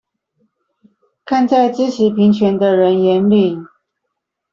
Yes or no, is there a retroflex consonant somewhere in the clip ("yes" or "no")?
yes